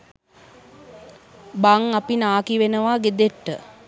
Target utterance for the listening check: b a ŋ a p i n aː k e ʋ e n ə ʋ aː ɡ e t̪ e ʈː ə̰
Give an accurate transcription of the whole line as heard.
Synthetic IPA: b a ŋ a p i n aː k i ʋ e n ə ʋ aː ɡ e d̪ e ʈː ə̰